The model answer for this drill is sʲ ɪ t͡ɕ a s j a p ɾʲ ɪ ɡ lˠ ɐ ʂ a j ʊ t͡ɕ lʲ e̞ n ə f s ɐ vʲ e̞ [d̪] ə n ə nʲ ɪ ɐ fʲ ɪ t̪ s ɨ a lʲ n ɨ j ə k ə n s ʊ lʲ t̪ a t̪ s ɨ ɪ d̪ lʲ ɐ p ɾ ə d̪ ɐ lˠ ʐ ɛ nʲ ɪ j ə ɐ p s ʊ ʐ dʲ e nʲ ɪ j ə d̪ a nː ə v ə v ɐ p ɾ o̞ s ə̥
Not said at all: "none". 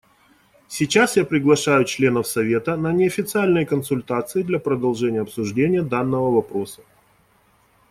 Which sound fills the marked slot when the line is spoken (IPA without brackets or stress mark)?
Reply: t̪